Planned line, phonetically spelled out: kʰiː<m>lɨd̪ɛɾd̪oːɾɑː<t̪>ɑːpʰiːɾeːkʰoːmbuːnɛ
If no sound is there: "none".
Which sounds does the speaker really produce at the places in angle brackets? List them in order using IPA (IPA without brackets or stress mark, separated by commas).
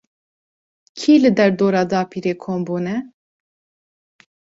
none, d̪